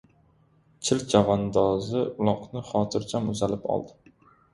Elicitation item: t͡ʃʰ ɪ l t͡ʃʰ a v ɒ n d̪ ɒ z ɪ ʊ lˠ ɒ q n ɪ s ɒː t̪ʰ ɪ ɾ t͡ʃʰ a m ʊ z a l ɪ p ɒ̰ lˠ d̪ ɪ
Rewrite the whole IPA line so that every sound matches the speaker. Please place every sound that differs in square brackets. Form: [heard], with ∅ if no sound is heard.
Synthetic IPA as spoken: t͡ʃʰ ɪ l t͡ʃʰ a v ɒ n d̪ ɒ z ɪ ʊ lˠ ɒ q n ɪ [χ] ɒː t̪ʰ ɪ ɾ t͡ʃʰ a m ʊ z a l ɪ p ɒ̰ lˠ d̪ ɪ